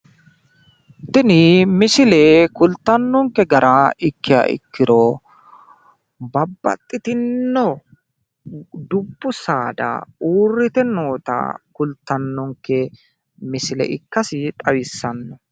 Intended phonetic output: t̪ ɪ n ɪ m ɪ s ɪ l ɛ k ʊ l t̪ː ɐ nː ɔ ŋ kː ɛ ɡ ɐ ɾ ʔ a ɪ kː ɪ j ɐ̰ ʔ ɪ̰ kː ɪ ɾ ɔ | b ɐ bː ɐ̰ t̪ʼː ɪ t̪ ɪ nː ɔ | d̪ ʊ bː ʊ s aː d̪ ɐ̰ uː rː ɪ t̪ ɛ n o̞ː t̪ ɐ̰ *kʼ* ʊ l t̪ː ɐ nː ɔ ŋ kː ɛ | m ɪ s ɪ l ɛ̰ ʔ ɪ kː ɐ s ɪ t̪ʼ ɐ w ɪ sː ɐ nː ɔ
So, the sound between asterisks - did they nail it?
no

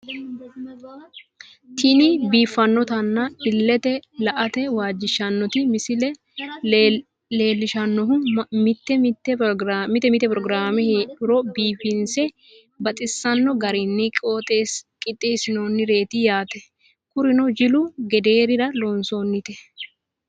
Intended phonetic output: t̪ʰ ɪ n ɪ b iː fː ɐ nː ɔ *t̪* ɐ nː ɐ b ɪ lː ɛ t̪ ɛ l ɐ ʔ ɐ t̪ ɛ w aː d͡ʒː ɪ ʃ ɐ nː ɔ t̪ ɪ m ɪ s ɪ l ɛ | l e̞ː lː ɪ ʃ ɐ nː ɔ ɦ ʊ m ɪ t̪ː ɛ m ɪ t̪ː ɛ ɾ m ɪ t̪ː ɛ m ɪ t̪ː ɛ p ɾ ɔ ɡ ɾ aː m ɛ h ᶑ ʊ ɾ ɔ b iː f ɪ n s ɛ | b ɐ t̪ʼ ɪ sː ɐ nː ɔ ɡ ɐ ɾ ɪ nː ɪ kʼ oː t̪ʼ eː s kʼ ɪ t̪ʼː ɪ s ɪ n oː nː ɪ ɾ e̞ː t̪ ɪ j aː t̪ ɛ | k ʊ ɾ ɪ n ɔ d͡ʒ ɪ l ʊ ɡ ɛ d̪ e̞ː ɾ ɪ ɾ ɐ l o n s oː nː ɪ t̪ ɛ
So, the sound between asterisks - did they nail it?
yes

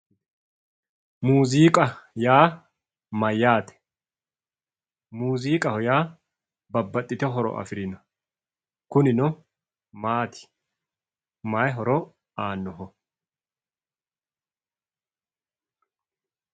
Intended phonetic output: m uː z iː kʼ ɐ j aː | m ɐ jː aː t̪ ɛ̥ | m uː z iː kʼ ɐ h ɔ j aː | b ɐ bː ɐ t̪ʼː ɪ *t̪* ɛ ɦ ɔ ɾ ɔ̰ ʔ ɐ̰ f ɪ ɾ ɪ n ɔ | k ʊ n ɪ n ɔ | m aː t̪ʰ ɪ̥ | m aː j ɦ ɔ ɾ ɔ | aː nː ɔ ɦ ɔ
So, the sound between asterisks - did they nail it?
yes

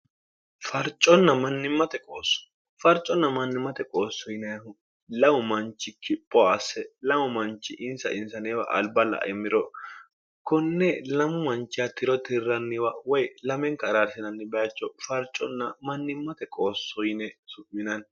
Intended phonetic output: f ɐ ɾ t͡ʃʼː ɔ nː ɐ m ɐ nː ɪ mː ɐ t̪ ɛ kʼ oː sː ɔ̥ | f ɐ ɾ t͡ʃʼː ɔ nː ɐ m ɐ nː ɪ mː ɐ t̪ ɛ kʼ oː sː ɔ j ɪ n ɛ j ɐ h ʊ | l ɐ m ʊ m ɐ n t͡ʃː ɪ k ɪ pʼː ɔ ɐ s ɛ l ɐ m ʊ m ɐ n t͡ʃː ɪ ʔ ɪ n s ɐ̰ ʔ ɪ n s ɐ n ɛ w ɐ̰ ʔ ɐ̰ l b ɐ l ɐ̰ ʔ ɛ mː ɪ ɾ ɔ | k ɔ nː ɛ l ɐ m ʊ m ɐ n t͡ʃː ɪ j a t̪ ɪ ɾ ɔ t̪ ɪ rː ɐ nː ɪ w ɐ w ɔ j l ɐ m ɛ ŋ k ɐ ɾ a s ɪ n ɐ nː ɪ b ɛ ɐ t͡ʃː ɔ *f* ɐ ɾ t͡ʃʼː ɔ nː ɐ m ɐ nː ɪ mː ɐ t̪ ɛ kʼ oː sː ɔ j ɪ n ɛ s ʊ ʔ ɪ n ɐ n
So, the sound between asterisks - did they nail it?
yes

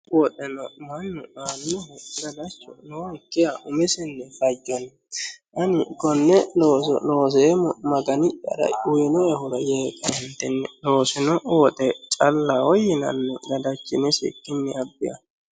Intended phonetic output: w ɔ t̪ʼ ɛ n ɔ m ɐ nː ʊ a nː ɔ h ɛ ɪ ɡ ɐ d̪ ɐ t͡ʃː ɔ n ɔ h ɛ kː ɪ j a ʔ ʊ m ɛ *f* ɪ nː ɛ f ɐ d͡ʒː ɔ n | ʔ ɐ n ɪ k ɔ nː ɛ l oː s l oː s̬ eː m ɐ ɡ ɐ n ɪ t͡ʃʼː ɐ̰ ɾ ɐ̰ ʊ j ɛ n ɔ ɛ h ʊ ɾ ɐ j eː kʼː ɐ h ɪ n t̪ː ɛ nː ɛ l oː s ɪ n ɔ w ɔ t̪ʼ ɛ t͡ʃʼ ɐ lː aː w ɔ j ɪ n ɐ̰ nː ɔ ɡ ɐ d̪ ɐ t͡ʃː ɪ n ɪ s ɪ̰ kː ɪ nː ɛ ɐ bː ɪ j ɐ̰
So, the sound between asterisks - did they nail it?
no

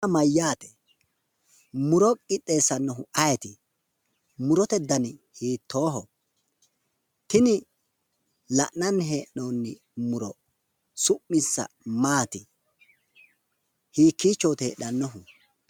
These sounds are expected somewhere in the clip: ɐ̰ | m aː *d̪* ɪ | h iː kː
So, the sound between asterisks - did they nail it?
no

